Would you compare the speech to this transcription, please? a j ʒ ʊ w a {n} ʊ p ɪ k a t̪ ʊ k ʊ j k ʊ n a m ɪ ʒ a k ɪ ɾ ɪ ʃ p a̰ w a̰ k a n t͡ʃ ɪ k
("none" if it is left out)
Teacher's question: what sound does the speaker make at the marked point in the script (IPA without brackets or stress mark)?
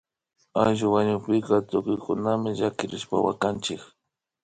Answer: ɲ